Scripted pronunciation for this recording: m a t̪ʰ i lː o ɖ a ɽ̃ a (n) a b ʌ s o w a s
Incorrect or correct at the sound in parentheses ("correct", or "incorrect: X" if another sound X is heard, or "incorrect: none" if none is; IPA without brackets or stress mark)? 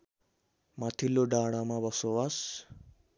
incorrect: m